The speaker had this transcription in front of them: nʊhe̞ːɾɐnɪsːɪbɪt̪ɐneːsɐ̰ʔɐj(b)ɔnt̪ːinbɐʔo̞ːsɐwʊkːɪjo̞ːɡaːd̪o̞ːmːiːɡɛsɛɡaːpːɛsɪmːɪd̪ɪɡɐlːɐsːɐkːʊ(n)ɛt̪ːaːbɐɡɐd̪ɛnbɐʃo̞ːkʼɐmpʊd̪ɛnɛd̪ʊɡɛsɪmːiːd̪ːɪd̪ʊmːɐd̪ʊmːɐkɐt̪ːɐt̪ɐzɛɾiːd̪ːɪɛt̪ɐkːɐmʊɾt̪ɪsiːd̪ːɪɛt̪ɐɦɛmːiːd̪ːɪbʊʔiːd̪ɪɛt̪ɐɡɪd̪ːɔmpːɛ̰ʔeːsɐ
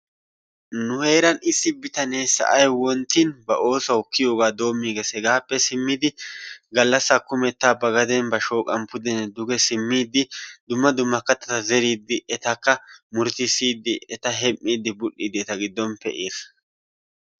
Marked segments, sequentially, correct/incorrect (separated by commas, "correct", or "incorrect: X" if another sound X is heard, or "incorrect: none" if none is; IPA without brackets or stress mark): incorrect: w, incorrect: m